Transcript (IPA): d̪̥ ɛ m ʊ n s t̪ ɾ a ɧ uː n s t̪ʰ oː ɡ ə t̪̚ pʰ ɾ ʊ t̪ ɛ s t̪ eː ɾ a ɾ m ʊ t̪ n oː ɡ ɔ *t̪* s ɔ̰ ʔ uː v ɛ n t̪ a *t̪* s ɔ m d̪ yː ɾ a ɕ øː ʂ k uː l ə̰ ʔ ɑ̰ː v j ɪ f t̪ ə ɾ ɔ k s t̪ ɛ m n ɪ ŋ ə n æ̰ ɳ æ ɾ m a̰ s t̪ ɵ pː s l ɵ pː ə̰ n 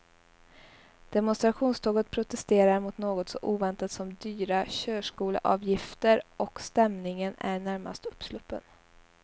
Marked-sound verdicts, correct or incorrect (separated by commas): correct, correct